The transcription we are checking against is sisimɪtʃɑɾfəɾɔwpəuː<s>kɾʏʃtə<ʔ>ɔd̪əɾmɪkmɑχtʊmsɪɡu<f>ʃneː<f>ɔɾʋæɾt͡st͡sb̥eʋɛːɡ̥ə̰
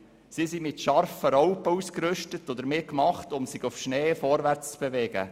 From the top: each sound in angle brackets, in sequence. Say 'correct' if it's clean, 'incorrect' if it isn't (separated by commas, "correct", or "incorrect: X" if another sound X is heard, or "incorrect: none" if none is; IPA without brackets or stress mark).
correct, incorrect: t, correct, correct